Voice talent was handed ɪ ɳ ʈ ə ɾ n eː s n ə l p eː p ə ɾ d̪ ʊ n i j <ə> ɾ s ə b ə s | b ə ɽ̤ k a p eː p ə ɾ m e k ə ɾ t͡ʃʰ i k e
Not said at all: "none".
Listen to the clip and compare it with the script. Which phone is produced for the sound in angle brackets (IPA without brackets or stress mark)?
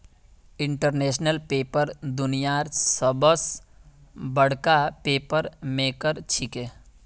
a